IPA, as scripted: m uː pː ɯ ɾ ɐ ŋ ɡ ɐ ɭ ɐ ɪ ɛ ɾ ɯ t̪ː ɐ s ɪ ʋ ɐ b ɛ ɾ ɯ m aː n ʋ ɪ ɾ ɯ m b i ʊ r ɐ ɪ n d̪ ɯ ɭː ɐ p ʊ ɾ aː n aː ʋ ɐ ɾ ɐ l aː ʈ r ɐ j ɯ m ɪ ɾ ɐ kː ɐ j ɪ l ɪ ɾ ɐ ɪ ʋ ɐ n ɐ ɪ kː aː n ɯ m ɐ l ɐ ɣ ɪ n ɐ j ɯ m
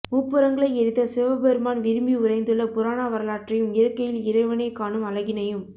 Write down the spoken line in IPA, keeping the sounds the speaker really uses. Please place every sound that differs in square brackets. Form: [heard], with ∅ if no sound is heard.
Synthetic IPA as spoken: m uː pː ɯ ɾ ɐ ŋ ɡ ɐ ɭ ɐ ɪ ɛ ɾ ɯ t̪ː ɐ s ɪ ʋ ɐ b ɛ ɾ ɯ m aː n ʋ ɪ ɾ ɯ m b i ʊ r ɐ ɪ n d̪ ɯ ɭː ɐ p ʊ ɾ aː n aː ʋ ɐ ɾ ɐ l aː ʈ r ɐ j ɯ m ɪ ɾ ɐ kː ɐ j ɪ l ɪ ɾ ɐ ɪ ʋ ɐ n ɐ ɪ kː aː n ɯ m ɐ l ɐ ɣ ɪ n ɐ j ɯ m